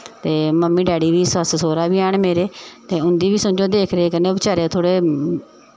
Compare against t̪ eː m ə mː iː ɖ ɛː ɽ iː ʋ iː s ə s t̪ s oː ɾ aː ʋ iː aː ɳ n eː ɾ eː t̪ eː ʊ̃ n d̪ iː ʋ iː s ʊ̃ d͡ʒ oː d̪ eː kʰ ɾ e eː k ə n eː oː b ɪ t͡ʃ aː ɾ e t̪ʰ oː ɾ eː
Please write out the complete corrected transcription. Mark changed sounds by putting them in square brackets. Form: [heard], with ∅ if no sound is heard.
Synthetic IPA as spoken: t̪ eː m ə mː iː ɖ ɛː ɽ iː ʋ iː s ə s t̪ s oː ɾ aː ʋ iː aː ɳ [m] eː ɾ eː t̪ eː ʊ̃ n d̪ iː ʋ iː s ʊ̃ d͡ʒ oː d̪ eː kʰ ɾ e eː k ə n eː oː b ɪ t͡ʃ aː ɾ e t̪ʰ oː [ɽ] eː